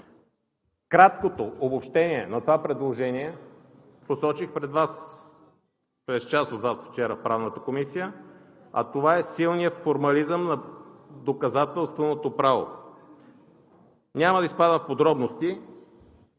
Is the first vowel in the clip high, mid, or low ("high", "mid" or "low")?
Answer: low